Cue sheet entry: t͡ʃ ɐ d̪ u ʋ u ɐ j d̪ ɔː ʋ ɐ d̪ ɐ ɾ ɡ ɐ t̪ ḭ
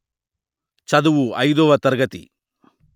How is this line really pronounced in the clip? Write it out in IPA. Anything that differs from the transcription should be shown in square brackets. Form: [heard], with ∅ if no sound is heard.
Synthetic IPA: t͡ʃ ɐ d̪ u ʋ u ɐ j d̪ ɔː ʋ ɐ [t̪] ɐ ɾ ɡ ɐ t̪ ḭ